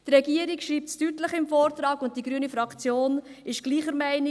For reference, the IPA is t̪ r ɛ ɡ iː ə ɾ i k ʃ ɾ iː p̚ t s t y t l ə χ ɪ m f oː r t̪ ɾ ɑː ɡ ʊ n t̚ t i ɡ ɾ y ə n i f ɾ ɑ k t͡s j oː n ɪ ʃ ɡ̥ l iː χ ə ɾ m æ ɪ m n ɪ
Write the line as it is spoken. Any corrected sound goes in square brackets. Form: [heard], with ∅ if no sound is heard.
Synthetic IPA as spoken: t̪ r ɛ ɡ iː ə ɾ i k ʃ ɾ iː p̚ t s t y t l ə χ ɪ m f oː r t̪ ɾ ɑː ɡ ʊ n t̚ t i ɡ ɾ y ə n i f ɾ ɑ k t͡s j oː n ɪ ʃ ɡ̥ l iː χ ə ɾ m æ ɪ [∅] n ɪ